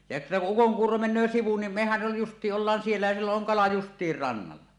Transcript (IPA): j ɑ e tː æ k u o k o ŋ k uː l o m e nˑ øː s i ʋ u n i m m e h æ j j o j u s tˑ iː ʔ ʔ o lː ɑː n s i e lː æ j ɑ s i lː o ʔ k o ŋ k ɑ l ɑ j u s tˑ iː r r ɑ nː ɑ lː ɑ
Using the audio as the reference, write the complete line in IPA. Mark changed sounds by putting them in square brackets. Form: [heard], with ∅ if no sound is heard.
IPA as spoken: j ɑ e tː æ k u [u] k o ŋ k uː [r] o m e nˑ øː s i ʋ u n i m m e h æ j j o j u s tˑ iː ʔ ʔ o lː ɑː n s i e lː æ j ɑ s i lː o ʔ [ʔ] o ŋ k ɑ l ɑ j u s tˑ iː r r ɑ nː ɑ lː ɑ